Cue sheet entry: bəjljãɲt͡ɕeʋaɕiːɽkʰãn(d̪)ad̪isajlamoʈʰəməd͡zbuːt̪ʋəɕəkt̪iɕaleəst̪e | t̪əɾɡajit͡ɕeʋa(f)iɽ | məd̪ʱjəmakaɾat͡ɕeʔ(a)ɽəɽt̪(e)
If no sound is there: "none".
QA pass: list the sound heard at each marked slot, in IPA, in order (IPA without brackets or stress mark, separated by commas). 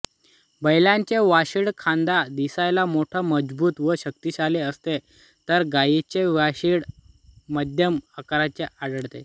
d̪, ɕ, a, e